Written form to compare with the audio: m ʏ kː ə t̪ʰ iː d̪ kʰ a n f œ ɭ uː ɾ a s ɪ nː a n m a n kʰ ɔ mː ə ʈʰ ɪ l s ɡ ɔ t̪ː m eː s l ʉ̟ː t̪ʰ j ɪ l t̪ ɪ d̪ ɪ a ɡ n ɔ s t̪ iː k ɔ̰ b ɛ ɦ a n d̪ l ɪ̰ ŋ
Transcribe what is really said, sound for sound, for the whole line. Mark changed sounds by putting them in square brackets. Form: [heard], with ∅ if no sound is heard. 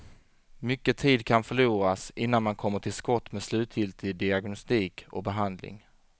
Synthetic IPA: m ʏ kː ə t̪ʰ iː d̪ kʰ a n f œ ɭ uː ɾ a s ɪ nː a n m a n kʰ ɔ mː ə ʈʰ ɪ l s [k] ɔ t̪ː m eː s l ʉ̟ː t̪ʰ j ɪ l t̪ ɪ d̪ ɪ a ɡ n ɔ s t̪ iː k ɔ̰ b ɛ ɦ a n d̪ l ɪ̰ ŋ